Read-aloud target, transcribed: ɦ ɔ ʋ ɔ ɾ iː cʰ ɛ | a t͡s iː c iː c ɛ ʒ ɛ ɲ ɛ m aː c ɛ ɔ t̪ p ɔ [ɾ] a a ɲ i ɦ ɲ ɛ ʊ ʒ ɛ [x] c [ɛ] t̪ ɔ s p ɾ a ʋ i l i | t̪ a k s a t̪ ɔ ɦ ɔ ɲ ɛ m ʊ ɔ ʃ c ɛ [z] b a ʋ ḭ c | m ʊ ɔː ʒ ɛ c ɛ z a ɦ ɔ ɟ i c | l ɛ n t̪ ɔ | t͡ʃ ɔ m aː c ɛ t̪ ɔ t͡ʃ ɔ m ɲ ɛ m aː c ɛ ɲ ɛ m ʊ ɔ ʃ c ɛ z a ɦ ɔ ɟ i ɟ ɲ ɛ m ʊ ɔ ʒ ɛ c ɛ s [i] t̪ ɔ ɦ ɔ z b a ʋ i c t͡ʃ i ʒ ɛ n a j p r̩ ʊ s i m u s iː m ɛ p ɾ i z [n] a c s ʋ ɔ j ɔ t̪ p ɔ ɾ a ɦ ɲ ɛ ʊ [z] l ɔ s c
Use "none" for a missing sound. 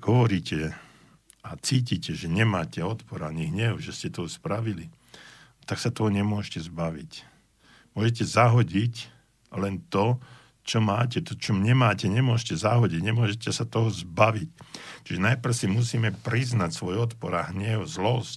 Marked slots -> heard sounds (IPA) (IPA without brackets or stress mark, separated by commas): ɾ, s, ɛ, z, a, n, z